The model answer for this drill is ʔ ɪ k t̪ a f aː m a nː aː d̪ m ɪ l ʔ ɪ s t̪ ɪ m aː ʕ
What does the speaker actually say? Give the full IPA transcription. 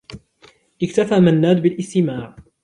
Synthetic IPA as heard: ʔ ɪ k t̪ a f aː m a nː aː d̪ b ɪ l ʔ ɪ s t̪ ɪ m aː ʕ